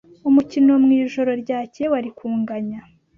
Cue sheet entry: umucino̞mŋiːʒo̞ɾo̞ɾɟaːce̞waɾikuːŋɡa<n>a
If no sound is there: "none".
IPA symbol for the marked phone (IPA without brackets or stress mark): ɲ